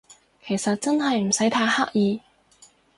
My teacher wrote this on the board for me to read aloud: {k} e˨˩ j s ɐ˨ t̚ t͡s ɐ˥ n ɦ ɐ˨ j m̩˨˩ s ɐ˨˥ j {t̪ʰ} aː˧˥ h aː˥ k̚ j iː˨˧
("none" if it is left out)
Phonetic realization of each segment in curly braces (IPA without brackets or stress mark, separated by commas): kʰ, t̪ʰ